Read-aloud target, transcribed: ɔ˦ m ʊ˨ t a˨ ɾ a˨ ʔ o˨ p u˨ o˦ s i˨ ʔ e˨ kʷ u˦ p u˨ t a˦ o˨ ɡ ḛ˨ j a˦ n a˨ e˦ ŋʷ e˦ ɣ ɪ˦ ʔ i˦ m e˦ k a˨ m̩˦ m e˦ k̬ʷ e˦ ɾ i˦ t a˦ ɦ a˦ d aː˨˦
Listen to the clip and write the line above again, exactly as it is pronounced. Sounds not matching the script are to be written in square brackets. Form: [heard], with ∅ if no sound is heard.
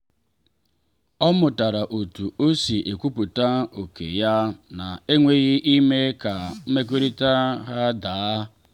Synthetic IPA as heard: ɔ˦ m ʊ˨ t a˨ ɾ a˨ ʔ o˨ [t] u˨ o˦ s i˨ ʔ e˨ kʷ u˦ p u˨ t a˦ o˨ [k] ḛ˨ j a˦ n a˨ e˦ ŋʷ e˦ ɣ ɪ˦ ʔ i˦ m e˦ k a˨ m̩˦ m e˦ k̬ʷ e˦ ɾ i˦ t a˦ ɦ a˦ d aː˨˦